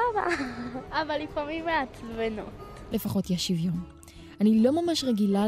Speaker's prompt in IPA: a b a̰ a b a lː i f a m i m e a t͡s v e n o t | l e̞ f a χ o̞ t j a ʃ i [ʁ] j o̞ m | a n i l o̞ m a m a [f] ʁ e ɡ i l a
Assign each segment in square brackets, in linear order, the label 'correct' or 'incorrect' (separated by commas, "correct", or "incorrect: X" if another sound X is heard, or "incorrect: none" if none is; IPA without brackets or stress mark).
incorrect: v, incorrect: ʃ